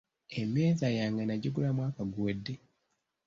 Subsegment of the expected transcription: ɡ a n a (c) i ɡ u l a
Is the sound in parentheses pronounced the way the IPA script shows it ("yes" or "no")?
no